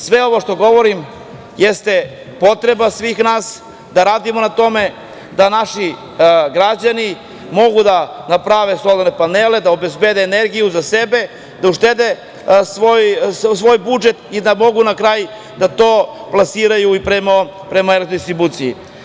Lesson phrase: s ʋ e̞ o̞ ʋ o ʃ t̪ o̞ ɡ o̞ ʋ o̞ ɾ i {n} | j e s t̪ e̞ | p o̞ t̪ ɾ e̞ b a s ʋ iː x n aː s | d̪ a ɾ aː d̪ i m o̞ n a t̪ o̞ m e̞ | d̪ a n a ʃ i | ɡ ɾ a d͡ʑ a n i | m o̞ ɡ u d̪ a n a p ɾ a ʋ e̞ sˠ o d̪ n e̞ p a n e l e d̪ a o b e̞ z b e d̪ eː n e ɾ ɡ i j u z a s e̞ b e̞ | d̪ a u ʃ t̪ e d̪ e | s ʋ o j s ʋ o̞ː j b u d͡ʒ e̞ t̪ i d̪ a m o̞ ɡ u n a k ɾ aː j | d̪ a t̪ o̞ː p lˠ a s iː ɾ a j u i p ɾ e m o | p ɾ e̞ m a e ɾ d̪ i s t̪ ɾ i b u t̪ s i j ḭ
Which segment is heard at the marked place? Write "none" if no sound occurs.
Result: m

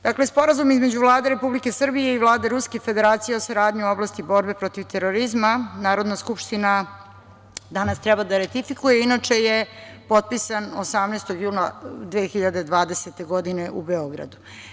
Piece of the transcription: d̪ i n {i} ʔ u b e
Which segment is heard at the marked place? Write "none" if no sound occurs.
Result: e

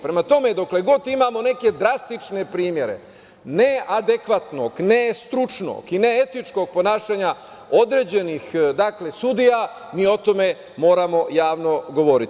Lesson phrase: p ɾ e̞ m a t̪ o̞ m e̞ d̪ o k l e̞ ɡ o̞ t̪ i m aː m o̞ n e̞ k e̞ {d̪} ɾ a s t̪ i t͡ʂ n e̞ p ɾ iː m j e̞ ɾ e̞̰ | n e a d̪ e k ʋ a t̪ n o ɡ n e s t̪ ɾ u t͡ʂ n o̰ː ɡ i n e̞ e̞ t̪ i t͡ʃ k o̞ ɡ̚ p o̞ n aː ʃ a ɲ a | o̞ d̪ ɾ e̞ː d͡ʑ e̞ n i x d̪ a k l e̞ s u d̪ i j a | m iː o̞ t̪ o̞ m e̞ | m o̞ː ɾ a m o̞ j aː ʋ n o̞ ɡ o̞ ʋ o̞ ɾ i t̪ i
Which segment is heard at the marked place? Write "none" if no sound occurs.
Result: d̪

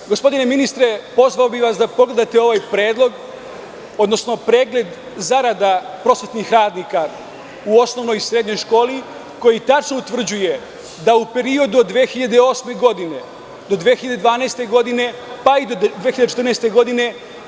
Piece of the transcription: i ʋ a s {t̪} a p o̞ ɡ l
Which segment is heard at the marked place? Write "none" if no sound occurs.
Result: d̪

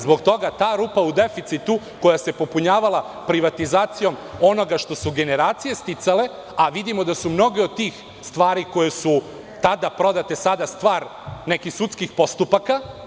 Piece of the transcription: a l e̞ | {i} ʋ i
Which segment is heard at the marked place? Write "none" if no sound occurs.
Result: a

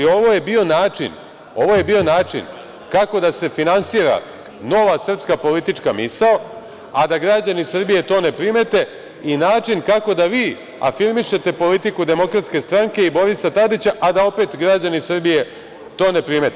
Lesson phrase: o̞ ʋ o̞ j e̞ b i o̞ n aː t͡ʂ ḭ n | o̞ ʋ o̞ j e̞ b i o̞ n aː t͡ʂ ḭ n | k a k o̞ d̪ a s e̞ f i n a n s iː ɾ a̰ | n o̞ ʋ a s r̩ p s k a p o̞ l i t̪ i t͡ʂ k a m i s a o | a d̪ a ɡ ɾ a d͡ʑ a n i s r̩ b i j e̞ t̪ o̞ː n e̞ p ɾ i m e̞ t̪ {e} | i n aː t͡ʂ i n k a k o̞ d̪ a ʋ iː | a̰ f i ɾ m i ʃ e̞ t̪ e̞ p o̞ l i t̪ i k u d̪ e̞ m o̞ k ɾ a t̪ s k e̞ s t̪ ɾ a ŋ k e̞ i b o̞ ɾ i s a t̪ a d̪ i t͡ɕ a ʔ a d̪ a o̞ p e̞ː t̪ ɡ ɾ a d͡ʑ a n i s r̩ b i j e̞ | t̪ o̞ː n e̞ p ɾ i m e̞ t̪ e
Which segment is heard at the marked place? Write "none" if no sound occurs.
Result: e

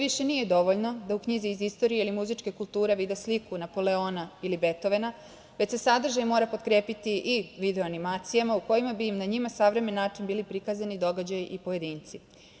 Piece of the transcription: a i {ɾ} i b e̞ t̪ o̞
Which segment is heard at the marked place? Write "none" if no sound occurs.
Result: l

